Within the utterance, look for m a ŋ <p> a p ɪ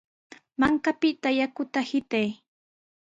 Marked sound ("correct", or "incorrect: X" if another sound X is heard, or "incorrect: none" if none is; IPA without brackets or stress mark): incorrect: k